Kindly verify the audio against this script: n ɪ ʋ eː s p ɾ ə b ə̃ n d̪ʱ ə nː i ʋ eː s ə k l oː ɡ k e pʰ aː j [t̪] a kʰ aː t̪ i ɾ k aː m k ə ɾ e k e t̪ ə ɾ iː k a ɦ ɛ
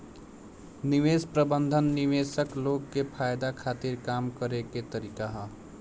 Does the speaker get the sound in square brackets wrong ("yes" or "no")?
yes